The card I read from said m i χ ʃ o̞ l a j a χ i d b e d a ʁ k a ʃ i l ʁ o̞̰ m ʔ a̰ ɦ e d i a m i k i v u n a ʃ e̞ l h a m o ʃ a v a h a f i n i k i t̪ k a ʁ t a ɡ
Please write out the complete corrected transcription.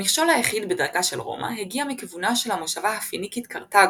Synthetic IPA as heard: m i χ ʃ o̞ l a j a χ i d b e d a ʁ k a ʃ e l ʁ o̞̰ m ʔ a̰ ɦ e ɡ i a m i k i v u n a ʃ e̞ l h a m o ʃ a v a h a f i n i k i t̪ k a ʁ t a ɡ